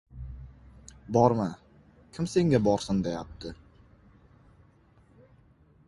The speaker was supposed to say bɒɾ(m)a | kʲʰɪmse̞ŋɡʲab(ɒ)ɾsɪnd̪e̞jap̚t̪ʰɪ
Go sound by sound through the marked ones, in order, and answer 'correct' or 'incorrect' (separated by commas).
correct, correct